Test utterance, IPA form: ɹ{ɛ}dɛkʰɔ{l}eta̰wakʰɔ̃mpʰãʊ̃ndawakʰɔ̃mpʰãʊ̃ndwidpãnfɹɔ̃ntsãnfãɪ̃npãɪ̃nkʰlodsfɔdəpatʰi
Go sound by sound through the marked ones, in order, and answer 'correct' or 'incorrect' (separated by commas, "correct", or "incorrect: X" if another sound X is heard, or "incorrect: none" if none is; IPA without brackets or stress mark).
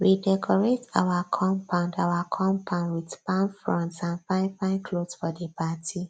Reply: incorrect: i, incorrect: ɹ